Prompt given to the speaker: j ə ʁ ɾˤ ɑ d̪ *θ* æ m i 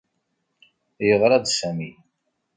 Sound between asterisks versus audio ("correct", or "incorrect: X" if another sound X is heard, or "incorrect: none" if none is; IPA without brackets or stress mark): incorrect: s